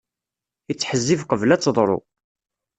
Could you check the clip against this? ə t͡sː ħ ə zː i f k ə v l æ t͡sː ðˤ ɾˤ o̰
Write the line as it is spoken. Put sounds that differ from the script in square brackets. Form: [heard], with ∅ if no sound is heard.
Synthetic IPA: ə t͡sː ħ ə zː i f [q] ə v l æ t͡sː ðˤ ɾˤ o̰

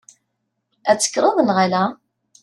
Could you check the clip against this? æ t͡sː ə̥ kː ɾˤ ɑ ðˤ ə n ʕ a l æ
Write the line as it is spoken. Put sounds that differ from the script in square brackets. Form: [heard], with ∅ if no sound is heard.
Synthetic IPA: æ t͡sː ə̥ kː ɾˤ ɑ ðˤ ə n [ʁ] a l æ

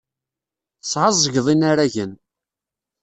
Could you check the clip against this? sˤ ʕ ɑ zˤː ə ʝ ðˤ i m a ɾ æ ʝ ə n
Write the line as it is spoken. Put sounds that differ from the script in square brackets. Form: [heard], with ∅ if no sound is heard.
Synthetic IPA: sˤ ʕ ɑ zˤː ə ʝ ðˤ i [n] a ɾ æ ʝ ə n

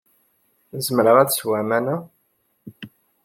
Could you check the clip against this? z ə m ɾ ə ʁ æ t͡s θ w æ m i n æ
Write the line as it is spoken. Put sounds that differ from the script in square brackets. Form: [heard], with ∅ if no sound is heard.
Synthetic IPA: z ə m ɾ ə ʁ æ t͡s [s] w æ m [æ] n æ

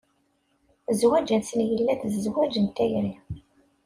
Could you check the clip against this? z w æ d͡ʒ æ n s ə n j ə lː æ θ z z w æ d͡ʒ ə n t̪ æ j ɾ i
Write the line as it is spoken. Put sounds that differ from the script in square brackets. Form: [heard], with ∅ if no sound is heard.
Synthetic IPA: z w æ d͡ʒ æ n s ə n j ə lː æ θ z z w æ d͡ʒ ə n t̪ æ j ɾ i

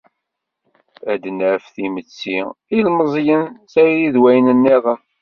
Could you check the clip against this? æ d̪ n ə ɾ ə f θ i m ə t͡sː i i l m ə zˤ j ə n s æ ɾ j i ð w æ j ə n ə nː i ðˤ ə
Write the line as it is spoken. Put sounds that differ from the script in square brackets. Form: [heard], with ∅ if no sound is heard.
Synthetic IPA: æ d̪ n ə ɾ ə f θ i m ə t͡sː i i l m ə zˤ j ə n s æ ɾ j i ð w æ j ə n ə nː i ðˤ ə

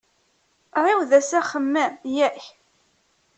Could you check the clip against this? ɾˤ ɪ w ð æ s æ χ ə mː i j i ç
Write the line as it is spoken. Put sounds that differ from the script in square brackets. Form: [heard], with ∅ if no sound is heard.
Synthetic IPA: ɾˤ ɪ w ð æ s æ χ ə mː [æ] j [æ] ç

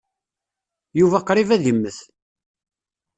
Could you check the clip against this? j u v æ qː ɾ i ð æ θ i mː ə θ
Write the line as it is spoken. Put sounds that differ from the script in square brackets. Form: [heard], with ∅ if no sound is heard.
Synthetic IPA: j u v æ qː ɾ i [v] æ [ð] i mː ə θ

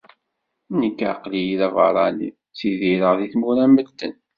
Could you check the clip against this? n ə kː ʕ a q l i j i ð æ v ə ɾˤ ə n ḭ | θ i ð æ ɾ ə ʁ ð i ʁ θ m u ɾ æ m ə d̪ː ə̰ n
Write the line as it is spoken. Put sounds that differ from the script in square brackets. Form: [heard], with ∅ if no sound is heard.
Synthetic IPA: n ə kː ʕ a q l i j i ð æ v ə ɾˤ [ɑ] n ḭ | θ i ð [i] ɾ ə ʁ ð i [∅] θ m u ɾ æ m ə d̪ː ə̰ n

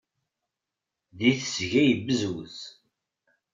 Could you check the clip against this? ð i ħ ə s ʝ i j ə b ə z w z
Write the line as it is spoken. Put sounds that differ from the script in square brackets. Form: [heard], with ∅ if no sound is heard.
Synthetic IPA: ð i [θ] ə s ʝ [æ] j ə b ə z w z

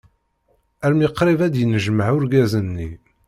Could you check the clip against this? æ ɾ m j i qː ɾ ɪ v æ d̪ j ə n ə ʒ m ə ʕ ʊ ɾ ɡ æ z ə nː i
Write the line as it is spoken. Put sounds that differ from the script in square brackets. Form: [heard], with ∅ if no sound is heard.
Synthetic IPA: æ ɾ m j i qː ɾ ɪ v æ d̪ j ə n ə ʒ m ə ʕ ʊ ɾ ɡ æ z ə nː i

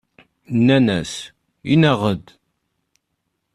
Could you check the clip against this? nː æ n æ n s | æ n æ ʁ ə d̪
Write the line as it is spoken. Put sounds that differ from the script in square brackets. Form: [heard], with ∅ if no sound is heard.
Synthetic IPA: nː æ n æ [∅] s | [i] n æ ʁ ə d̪

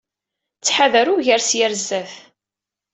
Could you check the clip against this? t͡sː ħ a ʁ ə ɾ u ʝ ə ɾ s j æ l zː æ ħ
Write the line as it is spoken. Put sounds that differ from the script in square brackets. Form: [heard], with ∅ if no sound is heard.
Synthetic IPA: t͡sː ħ a [ð] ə ɾ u ʝ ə ɾ s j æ [ɾ] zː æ [θ]

